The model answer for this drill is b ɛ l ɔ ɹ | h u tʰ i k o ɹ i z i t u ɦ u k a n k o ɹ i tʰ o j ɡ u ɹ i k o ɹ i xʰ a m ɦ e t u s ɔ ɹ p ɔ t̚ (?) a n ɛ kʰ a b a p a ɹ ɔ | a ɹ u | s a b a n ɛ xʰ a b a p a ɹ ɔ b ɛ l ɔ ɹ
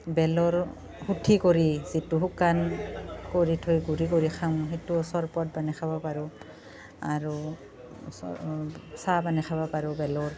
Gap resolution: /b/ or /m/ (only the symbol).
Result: b